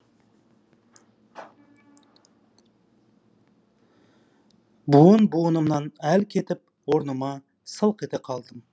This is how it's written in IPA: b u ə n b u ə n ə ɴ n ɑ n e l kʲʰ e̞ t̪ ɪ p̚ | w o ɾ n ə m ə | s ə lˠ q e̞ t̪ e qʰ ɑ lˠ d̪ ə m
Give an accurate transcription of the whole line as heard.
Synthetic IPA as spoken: b u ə n b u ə n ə m n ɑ n æ l kʲʰ e̞ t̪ ɪ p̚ | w o ɾ n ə m ɑ | s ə lˠ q e̞ t̪ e qʰ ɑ lˠ d̪ ə m